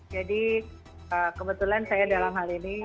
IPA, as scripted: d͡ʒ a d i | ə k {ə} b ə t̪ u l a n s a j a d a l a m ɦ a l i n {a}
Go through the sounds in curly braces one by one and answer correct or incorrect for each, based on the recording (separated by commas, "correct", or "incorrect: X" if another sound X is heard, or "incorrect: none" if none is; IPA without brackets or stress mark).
correct, incorrect: i